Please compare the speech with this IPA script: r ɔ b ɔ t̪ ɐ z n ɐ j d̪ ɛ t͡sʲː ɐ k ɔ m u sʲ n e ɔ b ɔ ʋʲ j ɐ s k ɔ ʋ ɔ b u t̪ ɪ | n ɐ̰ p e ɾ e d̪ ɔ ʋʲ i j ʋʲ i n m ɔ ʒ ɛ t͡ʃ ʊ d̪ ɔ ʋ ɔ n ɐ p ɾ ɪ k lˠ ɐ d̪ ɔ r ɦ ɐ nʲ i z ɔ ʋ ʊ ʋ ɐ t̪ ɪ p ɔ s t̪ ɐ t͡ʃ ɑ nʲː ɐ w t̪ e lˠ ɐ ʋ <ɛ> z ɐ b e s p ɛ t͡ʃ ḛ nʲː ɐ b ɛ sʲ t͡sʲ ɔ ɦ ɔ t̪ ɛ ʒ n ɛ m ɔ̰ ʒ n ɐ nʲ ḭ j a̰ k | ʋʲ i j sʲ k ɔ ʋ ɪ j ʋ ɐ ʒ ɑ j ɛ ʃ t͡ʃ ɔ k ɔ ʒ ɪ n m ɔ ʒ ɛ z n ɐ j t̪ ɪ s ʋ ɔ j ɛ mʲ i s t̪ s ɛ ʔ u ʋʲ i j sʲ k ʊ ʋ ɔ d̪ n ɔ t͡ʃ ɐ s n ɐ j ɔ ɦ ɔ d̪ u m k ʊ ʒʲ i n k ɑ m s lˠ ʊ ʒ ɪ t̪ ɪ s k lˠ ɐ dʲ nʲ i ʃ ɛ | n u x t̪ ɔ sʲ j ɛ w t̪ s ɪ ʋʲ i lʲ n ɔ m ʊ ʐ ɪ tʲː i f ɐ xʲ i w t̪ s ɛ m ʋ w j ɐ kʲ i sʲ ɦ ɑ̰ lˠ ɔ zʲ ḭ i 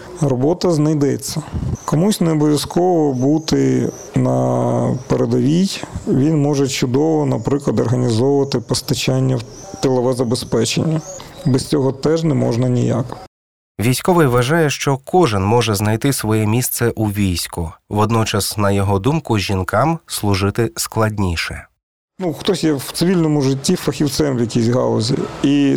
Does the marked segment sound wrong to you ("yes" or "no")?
no